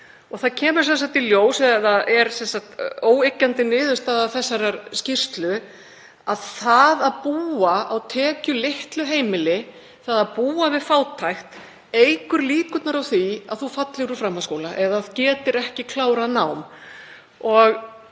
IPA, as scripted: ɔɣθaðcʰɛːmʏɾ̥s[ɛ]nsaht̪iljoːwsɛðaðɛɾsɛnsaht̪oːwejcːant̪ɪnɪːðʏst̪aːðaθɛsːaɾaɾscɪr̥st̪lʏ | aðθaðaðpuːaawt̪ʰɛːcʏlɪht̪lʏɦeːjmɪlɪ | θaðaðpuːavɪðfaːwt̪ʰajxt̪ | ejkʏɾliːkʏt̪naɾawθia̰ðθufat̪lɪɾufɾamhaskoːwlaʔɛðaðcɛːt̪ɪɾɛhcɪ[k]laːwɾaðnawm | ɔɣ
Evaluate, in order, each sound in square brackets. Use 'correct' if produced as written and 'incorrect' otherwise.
correct, incorrect

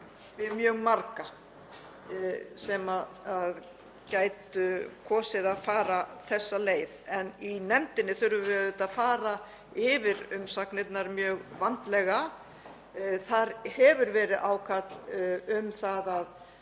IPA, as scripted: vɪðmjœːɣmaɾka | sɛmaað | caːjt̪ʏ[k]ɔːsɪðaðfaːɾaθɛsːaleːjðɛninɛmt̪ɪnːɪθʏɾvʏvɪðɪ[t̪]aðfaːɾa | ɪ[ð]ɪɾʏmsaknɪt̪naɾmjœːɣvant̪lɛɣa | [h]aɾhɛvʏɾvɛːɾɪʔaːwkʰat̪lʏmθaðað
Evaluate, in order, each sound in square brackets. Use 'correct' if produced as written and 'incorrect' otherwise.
incorrect, correct, incorrect, incorrect

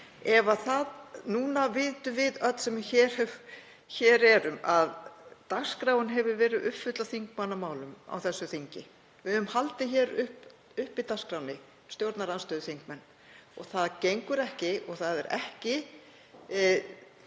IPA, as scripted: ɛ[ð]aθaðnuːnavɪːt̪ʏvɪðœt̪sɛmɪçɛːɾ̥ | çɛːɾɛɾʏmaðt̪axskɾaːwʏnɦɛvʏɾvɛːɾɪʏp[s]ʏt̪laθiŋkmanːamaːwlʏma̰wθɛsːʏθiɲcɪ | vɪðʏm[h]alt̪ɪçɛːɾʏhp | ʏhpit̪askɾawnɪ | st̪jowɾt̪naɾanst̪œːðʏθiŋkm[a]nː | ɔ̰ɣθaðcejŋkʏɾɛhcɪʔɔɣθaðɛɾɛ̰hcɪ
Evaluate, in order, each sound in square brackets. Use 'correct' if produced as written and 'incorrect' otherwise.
incorrect, incorrect, correct, incorrect

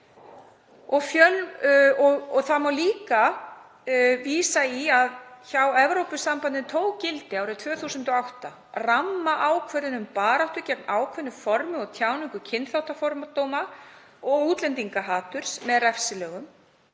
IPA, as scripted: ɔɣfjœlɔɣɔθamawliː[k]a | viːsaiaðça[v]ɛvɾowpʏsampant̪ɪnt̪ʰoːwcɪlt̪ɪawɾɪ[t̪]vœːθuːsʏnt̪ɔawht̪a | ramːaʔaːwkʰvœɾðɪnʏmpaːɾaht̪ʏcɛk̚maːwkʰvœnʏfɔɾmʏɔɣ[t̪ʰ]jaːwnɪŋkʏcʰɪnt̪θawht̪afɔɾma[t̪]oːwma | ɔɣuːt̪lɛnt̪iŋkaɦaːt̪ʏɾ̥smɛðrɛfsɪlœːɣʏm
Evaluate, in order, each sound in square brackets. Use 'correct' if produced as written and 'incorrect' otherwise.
correct, incorrect, incorrect, correct, correct

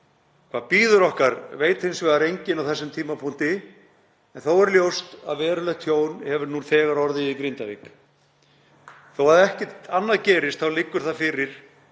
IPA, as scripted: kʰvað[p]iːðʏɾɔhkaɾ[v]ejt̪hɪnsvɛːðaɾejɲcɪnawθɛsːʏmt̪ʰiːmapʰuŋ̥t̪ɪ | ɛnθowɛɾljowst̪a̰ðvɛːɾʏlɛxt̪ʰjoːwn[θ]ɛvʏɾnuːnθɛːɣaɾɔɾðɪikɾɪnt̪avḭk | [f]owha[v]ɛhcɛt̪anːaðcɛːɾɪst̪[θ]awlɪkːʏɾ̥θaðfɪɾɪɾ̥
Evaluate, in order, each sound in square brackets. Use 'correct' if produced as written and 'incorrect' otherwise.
correct, correct, incorrect, incorrect, incorrect, correct

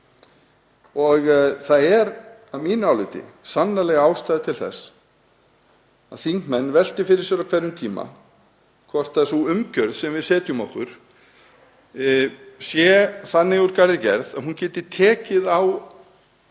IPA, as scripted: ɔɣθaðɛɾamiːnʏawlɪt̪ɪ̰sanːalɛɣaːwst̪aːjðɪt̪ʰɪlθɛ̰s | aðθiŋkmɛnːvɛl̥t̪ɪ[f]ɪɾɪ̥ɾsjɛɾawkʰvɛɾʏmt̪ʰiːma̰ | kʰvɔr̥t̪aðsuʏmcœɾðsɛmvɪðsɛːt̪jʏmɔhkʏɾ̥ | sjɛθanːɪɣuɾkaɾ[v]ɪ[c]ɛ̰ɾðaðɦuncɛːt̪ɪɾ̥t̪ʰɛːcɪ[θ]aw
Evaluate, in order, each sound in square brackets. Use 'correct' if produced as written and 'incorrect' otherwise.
correct, incorrect, correct, incorrect

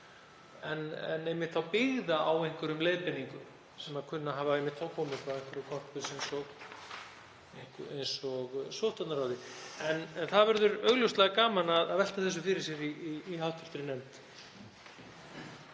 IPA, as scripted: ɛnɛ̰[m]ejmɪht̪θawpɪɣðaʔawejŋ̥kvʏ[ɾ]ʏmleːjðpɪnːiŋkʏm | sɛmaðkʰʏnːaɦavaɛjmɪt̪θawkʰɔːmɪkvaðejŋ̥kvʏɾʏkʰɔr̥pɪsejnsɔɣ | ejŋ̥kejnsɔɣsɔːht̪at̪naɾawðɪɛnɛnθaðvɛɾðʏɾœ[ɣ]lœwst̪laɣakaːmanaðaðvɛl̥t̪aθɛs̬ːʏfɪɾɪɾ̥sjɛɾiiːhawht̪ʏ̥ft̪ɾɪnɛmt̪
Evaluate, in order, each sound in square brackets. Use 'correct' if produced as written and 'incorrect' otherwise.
incorrect, correct, correct

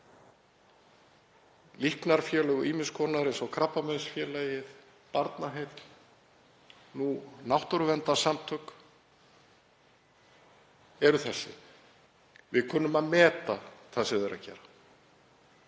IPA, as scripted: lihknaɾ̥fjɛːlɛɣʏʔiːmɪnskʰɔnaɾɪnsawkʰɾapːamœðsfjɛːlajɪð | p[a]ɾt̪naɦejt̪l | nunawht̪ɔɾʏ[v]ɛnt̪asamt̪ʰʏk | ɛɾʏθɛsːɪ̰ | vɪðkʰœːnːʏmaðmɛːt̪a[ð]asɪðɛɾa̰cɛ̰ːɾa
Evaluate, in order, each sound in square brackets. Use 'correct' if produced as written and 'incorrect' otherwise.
correct, correct, incorrect

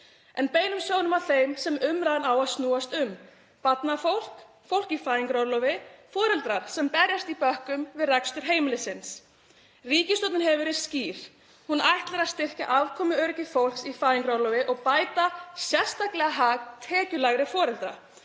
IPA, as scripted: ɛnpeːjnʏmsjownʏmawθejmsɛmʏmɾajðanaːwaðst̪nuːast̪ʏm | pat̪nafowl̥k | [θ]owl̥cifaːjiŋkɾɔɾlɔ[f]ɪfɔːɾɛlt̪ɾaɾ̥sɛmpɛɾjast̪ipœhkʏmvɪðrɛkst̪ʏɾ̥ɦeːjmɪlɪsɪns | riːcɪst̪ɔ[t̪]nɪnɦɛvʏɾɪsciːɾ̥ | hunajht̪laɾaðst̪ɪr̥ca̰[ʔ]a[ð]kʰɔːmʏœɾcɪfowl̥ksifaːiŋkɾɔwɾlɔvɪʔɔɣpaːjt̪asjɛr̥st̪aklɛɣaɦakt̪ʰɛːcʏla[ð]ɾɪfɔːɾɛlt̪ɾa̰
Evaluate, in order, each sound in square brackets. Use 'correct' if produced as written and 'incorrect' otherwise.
incorrect, incorrect, correct, correct, incorrect, incorrect

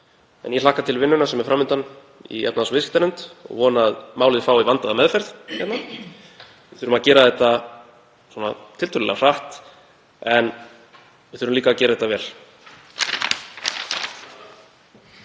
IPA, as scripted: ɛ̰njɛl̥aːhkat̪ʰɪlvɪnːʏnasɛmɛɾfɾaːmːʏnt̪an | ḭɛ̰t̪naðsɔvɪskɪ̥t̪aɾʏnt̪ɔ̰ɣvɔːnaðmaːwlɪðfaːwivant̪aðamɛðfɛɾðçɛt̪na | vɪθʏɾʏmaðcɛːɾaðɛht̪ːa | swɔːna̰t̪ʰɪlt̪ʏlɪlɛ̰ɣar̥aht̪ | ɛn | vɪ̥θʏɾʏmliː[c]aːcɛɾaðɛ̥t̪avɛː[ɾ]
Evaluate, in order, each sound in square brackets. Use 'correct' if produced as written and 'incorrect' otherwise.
incorrect, incorrect

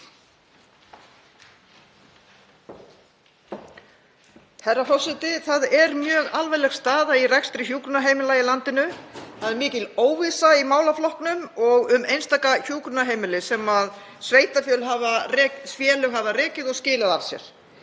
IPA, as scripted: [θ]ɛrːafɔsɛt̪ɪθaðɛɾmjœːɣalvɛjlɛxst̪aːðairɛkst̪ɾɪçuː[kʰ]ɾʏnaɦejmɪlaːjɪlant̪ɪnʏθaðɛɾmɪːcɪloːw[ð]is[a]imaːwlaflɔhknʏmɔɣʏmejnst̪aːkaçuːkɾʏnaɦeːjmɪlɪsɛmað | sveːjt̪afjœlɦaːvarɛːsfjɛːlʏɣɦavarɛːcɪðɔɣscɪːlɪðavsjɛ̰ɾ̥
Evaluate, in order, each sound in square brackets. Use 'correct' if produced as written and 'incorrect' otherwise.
incorrect, incorrect, incorrect, correct

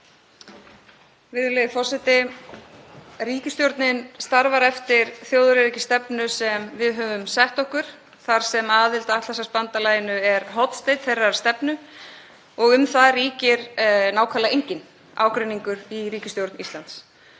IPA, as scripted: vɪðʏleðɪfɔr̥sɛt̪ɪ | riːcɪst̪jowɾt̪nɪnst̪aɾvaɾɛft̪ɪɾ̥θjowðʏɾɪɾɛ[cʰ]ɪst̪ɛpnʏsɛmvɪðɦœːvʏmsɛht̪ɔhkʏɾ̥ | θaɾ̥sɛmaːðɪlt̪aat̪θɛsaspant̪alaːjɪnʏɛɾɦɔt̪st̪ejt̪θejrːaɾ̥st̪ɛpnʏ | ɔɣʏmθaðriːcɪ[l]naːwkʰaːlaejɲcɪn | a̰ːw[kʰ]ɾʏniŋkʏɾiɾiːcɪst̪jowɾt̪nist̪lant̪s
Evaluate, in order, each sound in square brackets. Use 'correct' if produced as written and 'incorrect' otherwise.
incorrect, incorrect, incorrect

